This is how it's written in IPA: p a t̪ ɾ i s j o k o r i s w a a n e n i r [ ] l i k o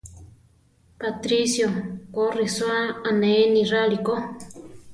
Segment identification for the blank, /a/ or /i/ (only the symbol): a